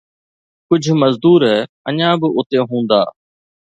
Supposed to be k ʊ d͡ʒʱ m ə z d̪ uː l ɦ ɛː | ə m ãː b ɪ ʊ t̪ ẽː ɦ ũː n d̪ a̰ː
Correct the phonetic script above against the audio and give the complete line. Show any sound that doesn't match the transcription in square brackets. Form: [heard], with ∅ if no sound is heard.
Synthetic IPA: k ʊ d͡ʒʱ m ə z d̪ uː [ɾ] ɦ ɛː | ə [ɲ] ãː b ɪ ʊ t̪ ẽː ɦ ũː n d̪ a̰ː